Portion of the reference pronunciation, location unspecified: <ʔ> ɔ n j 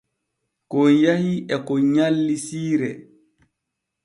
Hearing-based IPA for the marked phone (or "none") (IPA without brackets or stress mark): k